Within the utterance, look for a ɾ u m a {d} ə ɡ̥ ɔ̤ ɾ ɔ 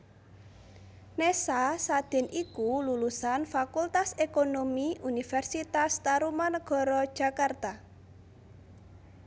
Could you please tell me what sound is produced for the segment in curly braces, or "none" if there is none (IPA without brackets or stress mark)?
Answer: n